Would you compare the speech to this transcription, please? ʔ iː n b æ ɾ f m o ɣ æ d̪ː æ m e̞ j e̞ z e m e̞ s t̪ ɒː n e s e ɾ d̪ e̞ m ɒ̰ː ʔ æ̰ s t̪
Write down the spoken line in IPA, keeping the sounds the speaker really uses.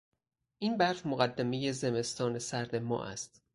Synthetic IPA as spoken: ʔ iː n b æ ɾ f m o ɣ æ d̪ː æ m e̞ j e̞ z e m e̞ s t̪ ɒː n e s æ ɾ d̪ e̞ m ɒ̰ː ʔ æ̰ s t̪